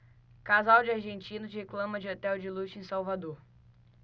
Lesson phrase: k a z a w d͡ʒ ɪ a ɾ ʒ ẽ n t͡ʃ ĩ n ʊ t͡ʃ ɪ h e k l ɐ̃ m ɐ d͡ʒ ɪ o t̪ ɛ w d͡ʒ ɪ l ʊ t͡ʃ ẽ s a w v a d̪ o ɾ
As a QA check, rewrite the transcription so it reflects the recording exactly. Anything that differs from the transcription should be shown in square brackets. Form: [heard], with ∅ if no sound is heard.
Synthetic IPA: k a z a w d͡ʒ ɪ a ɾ ʒ ẽ n t͡ʃ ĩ n ʊ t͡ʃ ɪ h e k l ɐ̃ m ɐ d͡ʒ ɪ o t̪ ɛ w d͡ʒ ɪ l [u] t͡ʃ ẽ s a w v a d̪ o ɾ